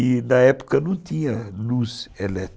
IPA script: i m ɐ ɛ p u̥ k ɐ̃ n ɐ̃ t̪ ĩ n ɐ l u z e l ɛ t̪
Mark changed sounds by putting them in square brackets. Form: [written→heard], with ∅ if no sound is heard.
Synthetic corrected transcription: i [m→n] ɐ ɛ p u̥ k [ɐ̃→ɐ] n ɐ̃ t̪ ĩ [n→ɲ] ɐ l u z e l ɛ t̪